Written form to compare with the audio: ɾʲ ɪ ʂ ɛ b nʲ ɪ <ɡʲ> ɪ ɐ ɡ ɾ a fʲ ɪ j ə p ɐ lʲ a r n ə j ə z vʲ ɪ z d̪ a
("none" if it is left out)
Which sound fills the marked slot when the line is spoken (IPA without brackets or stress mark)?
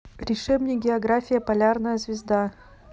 ɡʲ